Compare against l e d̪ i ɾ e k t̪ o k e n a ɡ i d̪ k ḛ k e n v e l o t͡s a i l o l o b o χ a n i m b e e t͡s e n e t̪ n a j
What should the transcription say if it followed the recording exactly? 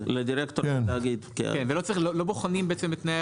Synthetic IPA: l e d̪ i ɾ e k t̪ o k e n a ɡ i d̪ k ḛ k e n v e l o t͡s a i l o l o b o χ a n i m b e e t͡s e m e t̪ n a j